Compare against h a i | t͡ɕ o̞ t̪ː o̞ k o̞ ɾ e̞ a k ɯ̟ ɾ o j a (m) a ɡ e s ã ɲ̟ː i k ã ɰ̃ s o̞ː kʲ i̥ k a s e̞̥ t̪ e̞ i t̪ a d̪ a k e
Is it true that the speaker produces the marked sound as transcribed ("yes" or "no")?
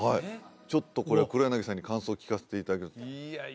no